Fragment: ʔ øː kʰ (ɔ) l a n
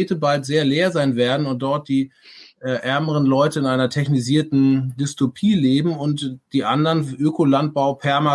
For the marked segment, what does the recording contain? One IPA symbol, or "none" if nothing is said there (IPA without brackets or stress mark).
o